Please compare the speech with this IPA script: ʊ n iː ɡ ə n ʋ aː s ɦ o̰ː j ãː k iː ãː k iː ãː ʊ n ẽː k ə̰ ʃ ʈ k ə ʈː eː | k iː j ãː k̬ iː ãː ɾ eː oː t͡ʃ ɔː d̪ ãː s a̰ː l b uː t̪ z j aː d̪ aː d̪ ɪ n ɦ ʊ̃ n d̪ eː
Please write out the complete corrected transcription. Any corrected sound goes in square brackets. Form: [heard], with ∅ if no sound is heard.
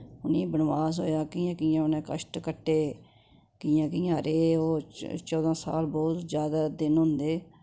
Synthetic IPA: ʊ n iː [b] ə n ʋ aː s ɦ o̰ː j [aː] k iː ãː k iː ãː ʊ n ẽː k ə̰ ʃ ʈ k ə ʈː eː | k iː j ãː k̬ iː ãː ɾ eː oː t͡ʃ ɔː d̪ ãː s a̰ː l b [ɔː] t̪ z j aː d̪ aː d̪ ɪ n ɦ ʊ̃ n d̪ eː